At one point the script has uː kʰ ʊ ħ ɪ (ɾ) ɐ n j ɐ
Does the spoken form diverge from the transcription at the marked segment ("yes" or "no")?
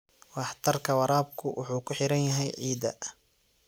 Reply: no